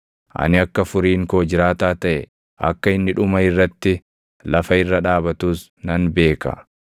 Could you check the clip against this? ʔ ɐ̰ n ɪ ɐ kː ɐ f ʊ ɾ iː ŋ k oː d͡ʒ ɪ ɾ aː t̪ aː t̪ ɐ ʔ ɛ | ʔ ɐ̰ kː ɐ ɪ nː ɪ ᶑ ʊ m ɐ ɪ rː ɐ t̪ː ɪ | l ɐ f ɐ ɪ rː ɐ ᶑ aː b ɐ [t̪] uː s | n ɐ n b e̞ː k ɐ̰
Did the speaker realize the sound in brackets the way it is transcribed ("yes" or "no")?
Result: yes